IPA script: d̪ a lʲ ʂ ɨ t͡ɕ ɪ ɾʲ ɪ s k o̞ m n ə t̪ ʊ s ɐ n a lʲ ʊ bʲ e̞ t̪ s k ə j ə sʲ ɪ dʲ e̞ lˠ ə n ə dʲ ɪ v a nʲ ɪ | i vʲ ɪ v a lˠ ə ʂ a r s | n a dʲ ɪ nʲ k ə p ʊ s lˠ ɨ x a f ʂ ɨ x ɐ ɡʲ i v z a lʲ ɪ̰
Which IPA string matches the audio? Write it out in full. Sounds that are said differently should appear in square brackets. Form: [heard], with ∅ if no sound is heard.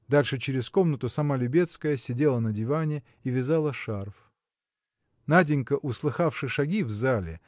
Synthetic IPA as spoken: d̪ a lʲ ʂ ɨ t͡ɕ ɪ ɾʲ ɪ s k o̞ m n ə t̪ ʊ s ɐ [m] a lʲ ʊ bʲ e̞ t̪ s k ə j ə sʲ ɪ dʲ e̞ lˠ ə n ə dʲ ɪ v a nʲ ɪ | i vʲ ɪ [z] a lˠ ə ʂ a r [f] | n a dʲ ɪ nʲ k ə [ʔ] ʊ s lˠ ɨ x a f ʂ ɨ [ʂ] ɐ ɡʲ i v z a lʲ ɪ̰